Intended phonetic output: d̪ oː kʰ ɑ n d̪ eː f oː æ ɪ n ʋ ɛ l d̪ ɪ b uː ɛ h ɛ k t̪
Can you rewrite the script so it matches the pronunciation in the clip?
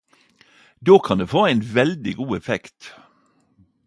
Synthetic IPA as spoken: d̪ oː kʰ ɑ n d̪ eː f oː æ ɪ n ʋ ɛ l d̪ ɪ ɡ uː ɛ f ɛ k t̪